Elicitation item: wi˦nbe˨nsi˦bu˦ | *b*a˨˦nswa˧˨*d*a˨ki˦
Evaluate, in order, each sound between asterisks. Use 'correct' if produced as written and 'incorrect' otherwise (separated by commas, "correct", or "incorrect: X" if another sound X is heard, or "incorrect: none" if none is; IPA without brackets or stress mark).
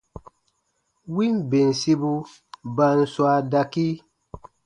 correct, correct